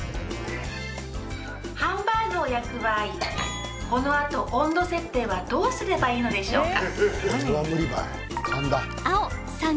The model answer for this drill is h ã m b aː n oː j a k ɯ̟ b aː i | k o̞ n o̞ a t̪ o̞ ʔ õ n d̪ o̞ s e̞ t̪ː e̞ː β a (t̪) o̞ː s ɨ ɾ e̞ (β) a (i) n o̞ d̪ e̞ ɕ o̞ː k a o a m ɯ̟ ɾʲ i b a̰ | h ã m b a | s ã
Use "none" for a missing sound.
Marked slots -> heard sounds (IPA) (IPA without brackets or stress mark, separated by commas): d̪, b, iː